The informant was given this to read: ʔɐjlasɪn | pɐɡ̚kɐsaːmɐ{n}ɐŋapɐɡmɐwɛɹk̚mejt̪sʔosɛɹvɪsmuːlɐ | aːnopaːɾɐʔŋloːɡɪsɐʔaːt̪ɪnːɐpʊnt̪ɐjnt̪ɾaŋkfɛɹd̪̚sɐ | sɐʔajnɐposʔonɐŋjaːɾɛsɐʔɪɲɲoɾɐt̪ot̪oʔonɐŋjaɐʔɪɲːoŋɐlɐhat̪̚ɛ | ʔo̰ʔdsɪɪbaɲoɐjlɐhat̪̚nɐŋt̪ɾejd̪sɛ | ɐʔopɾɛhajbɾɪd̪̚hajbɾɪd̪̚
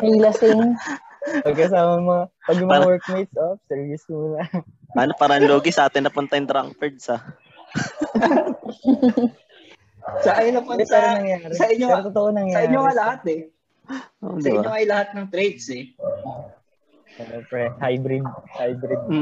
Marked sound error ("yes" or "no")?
yes